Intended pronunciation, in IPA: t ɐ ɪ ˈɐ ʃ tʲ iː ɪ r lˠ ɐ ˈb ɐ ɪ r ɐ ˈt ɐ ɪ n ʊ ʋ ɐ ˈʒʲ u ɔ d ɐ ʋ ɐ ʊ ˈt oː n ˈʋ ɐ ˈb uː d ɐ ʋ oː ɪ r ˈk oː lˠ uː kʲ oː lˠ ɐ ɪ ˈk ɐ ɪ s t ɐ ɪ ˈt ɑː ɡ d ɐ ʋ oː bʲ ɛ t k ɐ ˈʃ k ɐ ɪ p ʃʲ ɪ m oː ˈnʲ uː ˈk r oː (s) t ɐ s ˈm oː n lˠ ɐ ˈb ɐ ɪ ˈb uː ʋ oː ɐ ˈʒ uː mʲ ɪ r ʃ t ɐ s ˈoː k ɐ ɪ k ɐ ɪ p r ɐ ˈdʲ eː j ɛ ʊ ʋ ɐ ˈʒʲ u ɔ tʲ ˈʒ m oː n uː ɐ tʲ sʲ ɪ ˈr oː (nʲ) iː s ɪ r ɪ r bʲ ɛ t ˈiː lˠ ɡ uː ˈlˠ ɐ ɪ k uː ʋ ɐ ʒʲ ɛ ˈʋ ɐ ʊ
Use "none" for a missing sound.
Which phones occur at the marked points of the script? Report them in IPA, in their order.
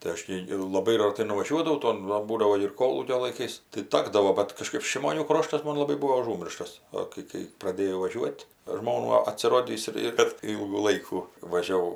ʃ, dʲ

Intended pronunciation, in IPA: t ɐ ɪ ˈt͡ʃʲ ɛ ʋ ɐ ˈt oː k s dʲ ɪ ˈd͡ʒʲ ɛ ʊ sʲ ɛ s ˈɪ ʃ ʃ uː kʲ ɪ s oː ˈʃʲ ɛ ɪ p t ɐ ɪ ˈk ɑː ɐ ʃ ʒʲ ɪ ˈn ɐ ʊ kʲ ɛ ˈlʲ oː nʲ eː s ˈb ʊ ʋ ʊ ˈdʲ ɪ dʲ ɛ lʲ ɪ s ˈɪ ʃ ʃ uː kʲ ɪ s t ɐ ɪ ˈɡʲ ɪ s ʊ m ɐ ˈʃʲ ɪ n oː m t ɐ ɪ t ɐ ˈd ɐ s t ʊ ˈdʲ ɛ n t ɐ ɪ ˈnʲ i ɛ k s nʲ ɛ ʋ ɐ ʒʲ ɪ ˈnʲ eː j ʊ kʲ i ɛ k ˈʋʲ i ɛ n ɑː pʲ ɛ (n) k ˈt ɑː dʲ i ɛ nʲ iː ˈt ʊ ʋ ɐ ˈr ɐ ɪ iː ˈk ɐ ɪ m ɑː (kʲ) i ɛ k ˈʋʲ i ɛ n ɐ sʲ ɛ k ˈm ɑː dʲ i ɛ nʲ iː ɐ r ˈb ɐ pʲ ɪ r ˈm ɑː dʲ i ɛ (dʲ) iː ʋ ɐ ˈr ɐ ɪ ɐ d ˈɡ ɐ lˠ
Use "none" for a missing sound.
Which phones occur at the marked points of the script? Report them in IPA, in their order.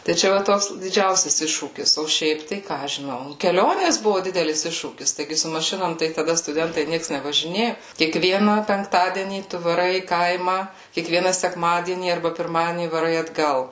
ŋ, kʲ, nʲ

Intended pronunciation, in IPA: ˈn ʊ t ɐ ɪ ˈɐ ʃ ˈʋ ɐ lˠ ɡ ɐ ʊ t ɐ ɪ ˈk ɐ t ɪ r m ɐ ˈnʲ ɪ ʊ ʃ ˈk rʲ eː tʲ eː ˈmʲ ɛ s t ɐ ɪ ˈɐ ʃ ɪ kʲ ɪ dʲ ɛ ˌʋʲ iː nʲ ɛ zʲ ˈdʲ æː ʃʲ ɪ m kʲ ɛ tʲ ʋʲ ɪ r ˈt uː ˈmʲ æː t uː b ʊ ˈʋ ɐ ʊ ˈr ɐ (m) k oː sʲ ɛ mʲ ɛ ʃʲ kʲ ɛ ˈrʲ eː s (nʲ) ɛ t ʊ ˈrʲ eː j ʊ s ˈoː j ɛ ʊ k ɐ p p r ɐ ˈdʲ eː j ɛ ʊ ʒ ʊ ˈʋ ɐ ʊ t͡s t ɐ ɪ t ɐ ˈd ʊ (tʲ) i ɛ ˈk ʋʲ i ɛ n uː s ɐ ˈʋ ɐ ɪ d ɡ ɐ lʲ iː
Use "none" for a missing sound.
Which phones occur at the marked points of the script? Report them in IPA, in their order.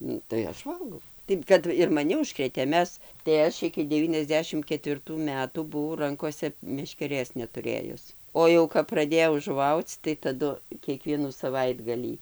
ŋ, nʲ, kʲ

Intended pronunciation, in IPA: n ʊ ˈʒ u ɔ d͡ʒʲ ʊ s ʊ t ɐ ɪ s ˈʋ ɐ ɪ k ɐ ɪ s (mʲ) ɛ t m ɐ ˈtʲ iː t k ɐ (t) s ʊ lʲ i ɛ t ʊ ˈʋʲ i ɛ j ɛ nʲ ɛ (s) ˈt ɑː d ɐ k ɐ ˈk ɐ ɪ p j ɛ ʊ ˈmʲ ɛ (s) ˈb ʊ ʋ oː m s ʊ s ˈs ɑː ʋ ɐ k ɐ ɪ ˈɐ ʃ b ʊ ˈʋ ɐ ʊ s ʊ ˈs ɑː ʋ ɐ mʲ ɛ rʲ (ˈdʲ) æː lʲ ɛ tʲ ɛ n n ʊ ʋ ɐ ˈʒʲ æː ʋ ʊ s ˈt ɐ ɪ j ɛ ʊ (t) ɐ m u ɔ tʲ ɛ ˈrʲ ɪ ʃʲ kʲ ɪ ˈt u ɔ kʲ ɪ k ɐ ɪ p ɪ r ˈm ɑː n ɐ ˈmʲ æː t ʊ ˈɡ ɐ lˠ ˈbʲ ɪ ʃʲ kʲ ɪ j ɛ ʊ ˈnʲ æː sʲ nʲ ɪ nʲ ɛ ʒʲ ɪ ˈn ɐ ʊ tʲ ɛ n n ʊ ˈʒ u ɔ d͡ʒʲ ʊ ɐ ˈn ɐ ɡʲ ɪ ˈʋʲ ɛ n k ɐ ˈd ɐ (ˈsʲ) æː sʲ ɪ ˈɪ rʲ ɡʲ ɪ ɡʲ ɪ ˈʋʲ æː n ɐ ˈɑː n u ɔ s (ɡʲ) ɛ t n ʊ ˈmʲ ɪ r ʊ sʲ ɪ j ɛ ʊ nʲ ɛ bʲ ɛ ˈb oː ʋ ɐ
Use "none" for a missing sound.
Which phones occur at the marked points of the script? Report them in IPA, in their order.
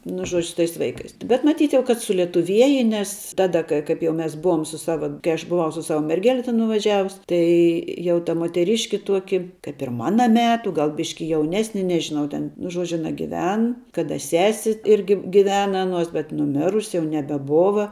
bʲ, t, s, s, ɡʲ, t, sʲ, bʲ

